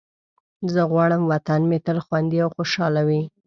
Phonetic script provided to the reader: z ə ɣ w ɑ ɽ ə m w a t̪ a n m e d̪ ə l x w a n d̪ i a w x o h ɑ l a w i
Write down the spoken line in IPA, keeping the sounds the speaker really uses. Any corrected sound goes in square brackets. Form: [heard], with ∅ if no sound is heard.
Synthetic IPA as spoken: z ə ɣ w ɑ ɽ ə m w a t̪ a n m e [t̪] ə l x w a n d̪ i a w x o [ʃ] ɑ l a w i